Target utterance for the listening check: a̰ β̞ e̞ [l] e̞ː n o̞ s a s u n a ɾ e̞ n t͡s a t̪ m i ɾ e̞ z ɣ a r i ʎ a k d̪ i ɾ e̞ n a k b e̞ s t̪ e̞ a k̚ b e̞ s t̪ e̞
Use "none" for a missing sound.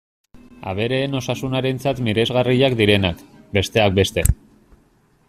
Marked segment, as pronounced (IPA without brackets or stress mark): ɾ